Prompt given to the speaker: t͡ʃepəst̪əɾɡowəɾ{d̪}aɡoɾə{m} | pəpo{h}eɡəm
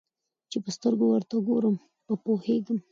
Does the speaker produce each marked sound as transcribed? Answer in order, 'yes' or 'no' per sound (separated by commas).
no, yes, yes